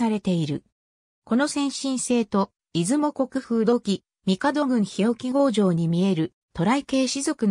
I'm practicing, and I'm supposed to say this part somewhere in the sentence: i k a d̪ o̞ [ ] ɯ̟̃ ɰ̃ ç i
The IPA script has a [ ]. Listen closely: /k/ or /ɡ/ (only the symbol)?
ɡ